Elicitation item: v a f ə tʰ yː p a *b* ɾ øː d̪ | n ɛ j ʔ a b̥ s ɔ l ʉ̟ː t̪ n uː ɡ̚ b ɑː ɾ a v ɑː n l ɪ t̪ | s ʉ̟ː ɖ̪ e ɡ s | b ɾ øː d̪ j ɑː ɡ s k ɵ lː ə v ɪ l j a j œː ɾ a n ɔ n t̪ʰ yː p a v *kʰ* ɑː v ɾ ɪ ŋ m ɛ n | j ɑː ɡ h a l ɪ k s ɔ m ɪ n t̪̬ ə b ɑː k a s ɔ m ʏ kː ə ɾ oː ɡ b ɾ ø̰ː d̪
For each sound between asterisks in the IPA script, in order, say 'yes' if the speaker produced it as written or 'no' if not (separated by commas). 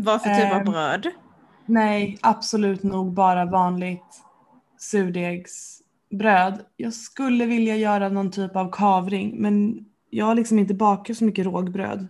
yes, yes